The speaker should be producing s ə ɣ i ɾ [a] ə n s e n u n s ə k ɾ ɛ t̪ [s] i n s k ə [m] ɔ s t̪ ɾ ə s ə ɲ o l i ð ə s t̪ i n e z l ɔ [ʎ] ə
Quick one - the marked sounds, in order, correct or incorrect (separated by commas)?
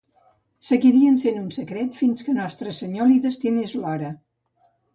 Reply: incorrect, incorrect, incorrect, incorrect